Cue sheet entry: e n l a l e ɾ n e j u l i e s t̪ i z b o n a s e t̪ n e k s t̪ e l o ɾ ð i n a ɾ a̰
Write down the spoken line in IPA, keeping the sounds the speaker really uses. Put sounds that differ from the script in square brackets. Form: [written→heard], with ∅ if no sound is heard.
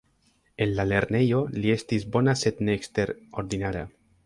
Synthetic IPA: e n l a l e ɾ n e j [u→o] l i e s t̪ i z b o n a s e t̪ n e k s t̪ e [l→ɾ] o ɾ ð i n a ɾ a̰